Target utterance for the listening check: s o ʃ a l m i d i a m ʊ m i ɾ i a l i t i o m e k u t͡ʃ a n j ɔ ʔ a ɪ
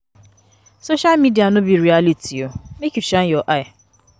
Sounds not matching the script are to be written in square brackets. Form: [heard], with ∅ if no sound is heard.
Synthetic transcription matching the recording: s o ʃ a l m i d i a [n] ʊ [b] i ɾ i a l i t i o m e k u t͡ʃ a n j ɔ ʔ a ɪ